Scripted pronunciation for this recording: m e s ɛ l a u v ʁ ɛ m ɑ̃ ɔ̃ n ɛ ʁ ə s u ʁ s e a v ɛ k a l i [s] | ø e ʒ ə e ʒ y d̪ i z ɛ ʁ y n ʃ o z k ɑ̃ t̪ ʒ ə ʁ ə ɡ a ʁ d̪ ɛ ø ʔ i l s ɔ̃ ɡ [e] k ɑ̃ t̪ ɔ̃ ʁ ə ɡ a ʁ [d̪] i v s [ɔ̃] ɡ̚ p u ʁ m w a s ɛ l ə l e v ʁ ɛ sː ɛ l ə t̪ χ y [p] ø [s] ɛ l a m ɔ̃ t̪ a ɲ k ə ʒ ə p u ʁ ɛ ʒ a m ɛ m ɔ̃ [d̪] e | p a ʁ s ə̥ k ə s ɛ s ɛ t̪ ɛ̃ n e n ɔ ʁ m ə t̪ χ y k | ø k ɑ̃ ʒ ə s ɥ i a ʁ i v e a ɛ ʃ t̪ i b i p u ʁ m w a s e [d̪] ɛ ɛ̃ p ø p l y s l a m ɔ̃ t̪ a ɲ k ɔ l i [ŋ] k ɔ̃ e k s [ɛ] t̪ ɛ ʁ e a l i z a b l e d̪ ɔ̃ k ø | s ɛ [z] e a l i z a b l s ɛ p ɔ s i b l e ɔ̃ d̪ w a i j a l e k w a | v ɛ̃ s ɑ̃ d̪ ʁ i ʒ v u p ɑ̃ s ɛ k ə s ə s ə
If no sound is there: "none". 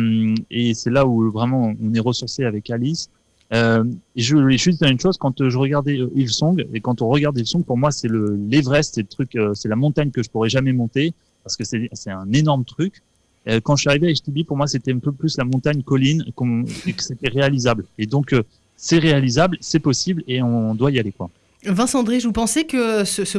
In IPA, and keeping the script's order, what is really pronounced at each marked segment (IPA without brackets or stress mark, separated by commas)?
s, e, d̪, ɔ̃, k, s, t̪, t̪, n, e, ʁ